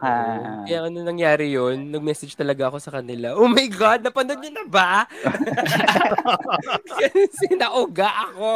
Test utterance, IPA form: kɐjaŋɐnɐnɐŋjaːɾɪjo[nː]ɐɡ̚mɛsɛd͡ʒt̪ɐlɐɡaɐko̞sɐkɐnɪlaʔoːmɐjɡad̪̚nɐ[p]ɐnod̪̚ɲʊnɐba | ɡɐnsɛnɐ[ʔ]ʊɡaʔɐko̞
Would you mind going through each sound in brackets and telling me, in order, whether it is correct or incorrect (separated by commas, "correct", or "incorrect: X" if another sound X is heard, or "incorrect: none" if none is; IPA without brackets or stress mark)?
correct, correct, correct